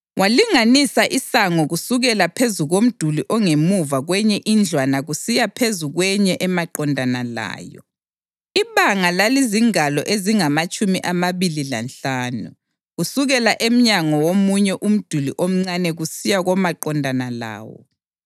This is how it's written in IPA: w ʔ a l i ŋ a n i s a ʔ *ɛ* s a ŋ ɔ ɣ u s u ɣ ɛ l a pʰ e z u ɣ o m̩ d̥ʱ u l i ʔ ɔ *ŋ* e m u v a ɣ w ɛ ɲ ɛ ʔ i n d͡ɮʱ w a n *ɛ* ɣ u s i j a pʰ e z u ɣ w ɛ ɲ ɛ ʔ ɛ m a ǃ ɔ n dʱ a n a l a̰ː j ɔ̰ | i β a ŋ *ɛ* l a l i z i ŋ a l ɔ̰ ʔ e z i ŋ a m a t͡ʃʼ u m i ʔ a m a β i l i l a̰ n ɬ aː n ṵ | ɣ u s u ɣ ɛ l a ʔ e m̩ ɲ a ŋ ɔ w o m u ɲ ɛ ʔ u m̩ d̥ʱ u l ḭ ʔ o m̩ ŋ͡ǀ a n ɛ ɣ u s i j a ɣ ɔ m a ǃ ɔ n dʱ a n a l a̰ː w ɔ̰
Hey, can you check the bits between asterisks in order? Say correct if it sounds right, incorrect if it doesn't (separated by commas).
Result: incorrect, correct, incorrect, incorrect